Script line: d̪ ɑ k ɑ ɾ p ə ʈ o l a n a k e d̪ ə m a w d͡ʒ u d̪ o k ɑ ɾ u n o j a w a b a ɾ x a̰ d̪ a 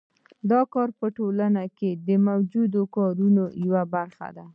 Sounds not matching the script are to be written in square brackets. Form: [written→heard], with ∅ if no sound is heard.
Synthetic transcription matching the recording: d̪ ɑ k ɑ ɾ p ə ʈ o l a n a k e d̪ ə m a w d͡ʒ u d̪ o k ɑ ɾ u n o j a w a b a ɾ x a̰ d̪ a